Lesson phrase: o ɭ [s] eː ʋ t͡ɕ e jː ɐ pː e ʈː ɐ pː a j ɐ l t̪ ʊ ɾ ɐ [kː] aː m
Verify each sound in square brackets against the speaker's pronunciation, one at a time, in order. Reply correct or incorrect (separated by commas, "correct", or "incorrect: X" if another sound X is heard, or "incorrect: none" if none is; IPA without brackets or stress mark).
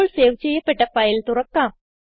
correct, correct